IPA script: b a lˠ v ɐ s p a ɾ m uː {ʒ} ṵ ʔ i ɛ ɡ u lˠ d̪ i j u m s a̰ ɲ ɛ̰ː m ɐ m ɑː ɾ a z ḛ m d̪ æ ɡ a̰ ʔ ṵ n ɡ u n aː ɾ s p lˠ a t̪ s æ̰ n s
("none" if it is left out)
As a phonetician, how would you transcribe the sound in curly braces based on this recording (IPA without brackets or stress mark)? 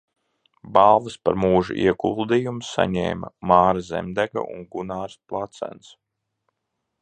ʒ